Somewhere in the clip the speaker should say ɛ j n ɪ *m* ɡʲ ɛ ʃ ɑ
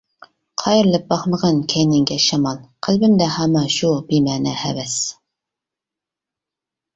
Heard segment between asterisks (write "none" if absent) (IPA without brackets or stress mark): ŋ